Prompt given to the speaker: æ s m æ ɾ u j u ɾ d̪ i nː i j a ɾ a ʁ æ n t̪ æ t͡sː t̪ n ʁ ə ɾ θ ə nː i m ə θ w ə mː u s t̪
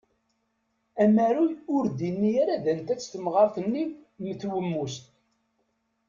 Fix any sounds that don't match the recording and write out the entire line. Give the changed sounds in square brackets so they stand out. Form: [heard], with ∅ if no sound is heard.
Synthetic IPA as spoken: æ [∅] m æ ɾ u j [ʊ] ɾ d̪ i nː i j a ɾ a [ð] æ n t̪ æ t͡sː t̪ [m] ʁ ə ɾ θ ə nː i m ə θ w ə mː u s t̪